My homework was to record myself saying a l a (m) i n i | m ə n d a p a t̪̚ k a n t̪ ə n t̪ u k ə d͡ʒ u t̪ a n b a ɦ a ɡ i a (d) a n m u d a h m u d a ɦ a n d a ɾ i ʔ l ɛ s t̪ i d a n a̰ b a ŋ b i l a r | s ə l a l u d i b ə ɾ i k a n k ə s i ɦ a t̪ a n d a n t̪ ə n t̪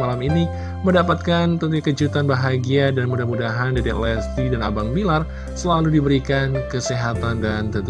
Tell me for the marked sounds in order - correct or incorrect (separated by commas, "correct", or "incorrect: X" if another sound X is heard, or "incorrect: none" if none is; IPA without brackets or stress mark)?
correct, correct